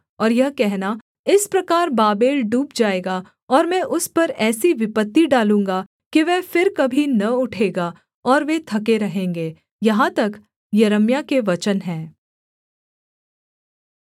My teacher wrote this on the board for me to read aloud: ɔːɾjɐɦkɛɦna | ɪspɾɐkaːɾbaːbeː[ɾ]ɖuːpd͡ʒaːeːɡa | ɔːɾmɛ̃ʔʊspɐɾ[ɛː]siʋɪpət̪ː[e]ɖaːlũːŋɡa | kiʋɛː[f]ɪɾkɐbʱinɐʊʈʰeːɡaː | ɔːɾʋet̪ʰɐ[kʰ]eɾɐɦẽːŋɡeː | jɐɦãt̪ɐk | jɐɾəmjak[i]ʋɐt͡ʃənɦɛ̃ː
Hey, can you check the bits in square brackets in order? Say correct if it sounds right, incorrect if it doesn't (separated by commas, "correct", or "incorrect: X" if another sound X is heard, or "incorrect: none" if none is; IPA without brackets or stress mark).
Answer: incorrect: l, correct, incorrect: i, correct, incorrect: k, incorrect: e